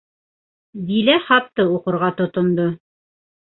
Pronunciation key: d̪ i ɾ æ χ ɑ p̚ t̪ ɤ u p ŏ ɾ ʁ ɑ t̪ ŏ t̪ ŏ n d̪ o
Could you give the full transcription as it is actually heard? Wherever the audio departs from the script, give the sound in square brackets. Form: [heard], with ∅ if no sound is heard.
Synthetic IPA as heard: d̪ i [l] æ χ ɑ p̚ t̪ ɤ u [q] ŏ ɾ ʁ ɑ t̪ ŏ t̪ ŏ n d̪ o

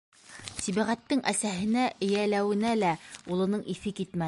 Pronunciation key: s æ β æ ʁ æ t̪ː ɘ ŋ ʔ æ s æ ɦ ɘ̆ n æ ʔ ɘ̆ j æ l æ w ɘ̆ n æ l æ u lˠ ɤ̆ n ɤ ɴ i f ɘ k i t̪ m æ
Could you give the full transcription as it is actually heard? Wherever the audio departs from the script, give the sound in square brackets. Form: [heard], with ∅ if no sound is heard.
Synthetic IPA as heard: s [i] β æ ʁ æ t̪ː ɘ ŋ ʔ æ s æ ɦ ɘ̆ n æ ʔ ɘ̆ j æ l æ w ɘ̆ n æ l æ u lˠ ɤ̆ n ɤ ɴ i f ɘ k i t̪ m æ

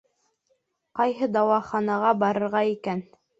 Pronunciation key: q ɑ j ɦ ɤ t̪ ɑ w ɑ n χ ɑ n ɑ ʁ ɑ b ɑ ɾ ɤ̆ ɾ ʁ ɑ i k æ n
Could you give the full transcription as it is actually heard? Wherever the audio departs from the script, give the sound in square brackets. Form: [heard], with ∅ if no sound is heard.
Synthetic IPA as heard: q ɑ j ɦ ɤ [d̪] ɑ w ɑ [∅] χ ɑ n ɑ ʁ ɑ b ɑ ɾ ɤ̆ ɾ ʁ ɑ i k æ n

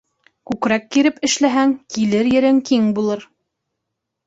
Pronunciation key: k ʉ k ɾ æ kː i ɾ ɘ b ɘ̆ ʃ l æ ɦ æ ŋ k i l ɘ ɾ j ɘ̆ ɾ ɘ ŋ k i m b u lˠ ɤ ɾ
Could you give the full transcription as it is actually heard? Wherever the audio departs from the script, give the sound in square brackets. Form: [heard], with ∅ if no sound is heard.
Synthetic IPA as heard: k ʉ k ɾ æ kː i ɾ ɘ [p] ɘ̆ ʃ l æ ɦ æ ŋ k i l ɘ ɾ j ɘ̆ ɾ ɘ ŋ k i [ŋ] b u lˠ ɤ ɾ

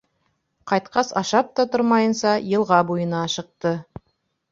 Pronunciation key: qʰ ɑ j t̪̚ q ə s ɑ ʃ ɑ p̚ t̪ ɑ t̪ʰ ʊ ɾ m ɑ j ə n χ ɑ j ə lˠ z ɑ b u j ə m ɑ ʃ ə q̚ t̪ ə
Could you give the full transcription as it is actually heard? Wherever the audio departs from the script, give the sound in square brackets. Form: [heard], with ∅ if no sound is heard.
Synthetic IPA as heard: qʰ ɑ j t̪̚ q [ɑ] s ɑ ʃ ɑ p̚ t̪ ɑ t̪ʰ ʊ ɾ m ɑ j ə n [s] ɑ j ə lˠ [ʁ] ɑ b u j ə [n] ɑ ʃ ə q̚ t̪ ə

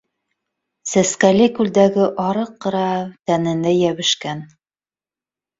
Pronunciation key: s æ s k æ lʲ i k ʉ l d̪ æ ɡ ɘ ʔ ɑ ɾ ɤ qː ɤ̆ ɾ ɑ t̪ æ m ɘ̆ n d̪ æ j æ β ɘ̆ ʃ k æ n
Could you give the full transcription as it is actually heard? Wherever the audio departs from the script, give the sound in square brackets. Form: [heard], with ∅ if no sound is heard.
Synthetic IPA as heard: s æ s k æ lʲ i k ʉ l d̪ æ ɡ ɘ ʔ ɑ ɾ ɤ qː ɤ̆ ɾ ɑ t̪ æ [n] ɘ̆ n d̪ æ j æ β ɘ̆ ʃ k æ n

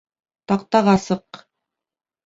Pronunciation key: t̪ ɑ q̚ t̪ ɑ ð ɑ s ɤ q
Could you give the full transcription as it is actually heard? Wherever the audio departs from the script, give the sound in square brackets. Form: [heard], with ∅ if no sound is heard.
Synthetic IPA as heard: t̪ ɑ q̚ t̪ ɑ [ʁ] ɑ s ɤ q

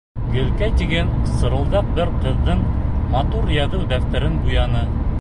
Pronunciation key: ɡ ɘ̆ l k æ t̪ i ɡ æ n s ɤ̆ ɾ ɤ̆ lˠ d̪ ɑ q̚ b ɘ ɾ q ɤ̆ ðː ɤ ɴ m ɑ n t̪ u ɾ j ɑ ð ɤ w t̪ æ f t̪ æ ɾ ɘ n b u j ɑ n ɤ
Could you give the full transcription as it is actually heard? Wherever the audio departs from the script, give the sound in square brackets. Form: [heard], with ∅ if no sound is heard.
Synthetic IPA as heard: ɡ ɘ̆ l k æ t̪ i ɡ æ n s ɤ̆ ɾ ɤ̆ lˠ d̪ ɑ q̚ b ɘ ɾ q ɤ̆ ðː ɤ ɴ m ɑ [∅] t̪ u ɾ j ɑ ð ɤ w [d̪] æ f t̪ æ ɾ ɘ n b u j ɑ n ɤ

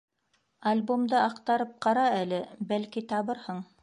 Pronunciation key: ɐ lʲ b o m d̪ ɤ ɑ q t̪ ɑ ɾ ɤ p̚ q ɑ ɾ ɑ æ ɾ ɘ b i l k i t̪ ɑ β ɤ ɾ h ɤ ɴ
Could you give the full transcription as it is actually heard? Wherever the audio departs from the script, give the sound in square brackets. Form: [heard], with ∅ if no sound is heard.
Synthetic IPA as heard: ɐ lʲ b o m d̪ ɤ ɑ q t̪ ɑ ɾ ɤ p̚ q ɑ ɾ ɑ æ [l] ɘ b [æ] l k i t̪ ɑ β ɤ ɾ h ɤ ɴ

